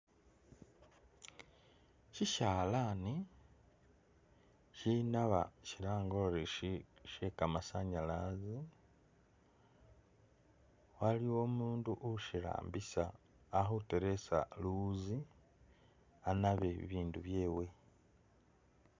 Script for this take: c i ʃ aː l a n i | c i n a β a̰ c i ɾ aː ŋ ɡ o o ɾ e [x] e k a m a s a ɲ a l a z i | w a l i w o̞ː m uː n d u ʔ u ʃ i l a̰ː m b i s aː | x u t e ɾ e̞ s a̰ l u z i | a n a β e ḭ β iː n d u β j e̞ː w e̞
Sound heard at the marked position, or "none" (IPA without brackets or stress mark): ʃ